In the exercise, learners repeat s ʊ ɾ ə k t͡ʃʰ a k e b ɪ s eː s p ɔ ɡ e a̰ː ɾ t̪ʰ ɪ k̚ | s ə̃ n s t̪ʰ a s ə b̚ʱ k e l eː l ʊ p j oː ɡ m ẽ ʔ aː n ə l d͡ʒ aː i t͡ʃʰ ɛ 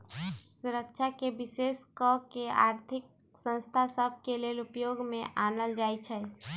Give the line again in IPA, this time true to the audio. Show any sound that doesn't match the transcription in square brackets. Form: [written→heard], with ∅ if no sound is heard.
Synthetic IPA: s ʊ ɾ ə k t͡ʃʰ a k e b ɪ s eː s [p→k] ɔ [ɡ→k] e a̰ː ɾ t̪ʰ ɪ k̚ | s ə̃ n s t̪ʰ a s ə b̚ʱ k e l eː l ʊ p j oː ɡ m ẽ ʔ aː n ə l d͡ʒ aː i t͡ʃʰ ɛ